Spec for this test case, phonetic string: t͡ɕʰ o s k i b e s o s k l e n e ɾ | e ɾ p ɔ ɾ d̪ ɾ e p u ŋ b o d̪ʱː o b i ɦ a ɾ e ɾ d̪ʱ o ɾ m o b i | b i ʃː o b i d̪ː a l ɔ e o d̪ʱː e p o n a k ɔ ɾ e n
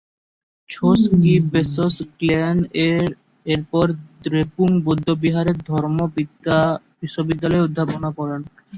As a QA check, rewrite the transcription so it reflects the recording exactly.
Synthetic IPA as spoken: t͡ɕʰ o s k i b e s o s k l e n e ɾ | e ɾ p ɔ ɾ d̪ ɾ e p u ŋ b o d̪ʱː o b i ɦ a ɾ e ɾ d̪ʱ ɔ ɾ m o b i | b i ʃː o b i d̪ː a l ɔ e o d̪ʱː a p o n a k ɔ ɾ e n